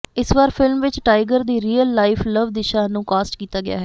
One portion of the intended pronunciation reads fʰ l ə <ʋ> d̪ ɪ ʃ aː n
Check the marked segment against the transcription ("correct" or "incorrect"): correct